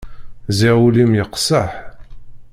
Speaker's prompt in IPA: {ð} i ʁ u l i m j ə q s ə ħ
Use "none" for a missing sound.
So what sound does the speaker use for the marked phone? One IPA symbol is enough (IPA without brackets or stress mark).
z